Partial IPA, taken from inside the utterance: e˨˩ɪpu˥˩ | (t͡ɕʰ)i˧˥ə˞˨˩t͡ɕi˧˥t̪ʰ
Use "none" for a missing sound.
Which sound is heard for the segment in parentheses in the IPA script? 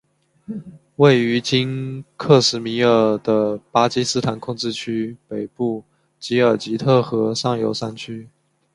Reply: t͡ɕ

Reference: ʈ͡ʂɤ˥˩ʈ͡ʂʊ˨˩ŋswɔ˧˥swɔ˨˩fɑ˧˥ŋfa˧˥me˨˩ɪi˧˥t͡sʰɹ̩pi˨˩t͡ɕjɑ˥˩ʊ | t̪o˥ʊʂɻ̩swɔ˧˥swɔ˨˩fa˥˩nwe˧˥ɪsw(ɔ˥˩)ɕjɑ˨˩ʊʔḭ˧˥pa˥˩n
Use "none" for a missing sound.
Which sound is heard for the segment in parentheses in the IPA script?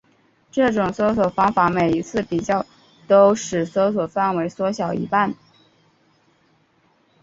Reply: ɔ˧˥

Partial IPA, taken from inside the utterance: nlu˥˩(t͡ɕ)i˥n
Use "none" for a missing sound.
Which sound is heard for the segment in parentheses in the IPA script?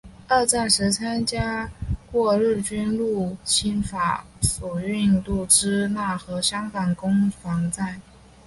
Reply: t͡ɕʰ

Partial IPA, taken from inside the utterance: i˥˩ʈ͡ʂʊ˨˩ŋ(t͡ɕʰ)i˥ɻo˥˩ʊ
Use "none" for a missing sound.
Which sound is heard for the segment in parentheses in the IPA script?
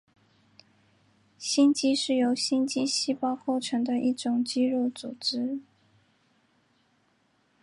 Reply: t͡ɕ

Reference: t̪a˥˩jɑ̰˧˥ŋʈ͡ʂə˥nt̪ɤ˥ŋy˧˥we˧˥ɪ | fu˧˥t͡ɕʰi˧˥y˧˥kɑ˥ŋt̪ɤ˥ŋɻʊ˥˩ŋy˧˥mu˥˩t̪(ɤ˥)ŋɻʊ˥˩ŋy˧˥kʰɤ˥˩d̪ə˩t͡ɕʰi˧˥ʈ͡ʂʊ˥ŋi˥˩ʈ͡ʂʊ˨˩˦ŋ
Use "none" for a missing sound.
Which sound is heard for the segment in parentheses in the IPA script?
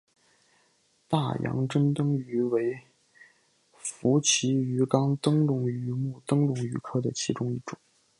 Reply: ɤ˥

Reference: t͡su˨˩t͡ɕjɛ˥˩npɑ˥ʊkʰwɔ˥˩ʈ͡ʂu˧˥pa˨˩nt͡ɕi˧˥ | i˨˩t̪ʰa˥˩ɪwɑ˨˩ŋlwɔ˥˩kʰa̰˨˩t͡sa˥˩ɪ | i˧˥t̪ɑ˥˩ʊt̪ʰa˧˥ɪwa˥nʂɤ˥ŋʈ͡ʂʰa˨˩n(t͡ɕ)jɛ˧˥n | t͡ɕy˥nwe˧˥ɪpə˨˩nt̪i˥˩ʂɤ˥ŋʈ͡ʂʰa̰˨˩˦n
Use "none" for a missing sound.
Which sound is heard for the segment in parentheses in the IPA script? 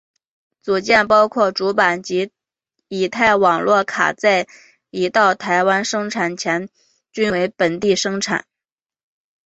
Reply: t͡ɕʰ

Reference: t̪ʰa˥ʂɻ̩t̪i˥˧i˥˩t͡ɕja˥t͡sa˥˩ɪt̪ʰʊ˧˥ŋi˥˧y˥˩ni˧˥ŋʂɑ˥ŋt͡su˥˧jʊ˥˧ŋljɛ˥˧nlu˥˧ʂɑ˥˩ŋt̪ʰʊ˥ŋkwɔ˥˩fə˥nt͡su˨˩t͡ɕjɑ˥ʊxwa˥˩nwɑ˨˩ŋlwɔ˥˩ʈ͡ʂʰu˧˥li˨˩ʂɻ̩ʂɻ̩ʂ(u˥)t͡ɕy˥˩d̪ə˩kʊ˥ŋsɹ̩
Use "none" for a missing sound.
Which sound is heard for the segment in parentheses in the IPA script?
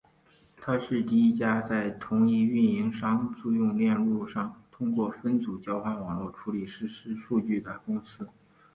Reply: u˥˧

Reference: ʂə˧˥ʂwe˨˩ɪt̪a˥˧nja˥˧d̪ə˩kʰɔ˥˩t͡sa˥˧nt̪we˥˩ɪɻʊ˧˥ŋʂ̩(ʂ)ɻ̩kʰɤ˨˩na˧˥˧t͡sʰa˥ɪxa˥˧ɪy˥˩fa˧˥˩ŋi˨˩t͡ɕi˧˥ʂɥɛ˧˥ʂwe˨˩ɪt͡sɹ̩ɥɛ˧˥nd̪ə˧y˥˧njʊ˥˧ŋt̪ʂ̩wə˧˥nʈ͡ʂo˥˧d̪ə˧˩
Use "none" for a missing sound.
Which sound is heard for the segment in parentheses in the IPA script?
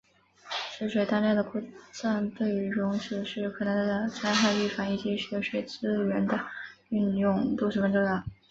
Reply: ʂ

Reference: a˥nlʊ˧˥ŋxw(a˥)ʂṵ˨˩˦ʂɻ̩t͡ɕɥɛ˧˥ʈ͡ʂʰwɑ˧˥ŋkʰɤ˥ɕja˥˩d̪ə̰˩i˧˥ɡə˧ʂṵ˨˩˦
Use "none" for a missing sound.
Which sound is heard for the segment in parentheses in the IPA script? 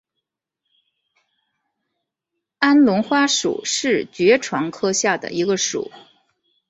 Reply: a˥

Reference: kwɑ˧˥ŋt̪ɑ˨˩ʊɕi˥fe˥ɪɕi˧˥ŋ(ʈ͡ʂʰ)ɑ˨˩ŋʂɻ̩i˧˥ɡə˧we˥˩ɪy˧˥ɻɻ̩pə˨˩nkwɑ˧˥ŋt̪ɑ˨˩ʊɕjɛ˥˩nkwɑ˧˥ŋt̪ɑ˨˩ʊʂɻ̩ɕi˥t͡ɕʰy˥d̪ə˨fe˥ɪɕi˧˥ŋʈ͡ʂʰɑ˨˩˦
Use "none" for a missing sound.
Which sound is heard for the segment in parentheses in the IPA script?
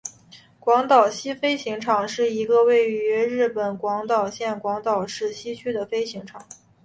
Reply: ʈ͡ʂʰ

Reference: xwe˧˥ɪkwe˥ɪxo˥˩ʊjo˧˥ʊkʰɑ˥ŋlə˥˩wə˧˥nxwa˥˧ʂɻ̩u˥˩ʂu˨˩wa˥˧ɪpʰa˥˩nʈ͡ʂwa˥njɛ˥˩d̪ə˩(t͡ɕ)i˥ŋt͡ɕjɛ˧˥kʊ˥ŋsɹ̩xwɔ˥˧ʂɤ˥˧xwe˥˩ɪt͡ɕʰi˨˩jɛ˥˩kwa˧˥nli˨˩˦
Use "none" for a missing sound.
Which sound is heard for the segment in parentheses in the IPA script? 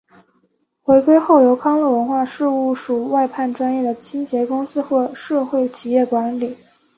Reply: t͡ɕʰ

